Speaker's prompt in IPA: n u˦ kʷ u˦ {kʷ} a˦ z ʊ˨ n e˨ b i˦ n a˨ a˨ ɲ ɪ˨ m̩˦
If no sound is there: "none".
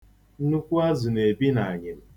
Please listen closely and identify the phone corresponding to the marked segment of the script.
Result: none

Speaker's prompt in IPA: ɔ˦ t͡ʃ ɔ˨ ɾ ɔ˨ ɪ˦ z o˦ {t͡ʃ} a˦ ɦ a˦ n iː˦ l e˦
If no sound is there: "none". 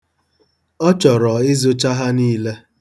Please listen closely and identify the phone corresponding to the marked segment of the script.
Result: t͡ʃ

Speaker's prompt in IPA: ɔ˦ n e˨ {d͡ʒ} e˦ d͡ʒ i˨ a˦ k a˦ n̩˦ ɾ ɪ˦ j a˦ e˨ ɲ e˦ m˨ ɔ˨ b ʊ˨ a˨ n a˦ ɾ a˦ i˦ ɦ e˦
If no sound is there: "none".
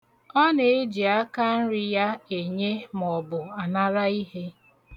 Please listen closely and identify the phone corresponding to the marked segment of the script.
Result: none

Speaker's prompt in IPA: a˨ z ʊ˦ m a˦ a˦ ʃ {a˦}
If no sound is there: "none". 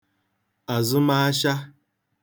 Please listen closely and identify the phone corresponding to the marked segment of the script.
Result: a˦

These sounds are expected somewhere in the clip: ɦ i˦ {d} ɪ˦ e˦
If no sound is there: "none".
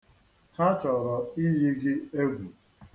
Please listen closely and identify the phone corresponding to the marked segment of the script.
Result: ɡ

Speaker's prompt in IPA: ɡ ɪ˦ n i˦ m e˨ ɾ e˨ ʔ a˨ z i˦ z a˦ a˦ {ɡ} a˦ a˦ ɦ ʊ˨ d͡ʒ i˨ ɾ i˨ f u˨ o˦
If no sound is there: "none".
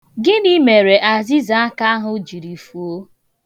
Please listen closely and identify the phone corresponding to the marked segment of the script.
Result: k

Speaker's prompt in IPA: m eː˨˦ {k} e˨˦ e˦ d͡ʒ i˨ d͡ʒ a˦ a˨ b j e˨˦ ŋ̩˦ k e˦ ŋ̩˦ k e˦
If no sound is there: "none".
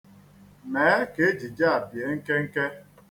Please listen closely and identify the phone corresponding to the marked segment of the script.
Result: k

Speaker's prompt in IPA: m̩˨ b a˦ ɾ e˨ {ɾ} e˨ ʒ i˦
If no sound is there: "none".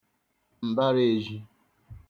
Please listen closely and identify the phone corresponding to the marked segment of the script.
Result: none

